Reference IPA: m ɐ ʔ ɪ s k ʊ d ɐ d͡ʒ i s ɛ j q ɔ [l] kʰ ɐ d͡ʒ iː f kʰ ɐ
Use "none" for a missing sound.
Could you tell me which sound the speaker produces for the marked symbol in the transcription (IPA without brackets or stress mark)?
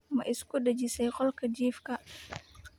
l